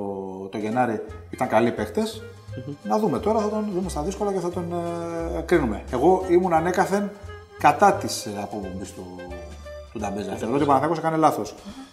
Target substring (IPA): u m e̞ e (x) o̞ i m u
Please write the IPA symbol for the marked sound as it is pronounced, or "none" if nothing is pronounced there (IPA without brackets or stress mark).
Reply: ɣ